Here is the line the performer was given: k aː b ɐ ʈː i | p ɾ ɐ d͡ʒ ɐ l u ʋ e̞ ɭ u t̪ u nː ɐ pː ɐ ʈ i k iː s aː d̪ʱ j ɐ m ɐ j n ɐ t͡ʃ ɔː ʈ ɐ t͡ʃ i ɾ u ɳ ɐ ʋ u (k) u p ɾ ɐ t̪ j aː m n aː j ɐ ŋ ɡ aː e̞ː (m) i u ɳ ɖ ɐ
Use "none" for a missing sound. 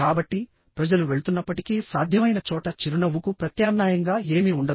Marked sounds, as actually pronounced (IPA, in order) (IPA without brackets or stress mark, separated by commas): k, m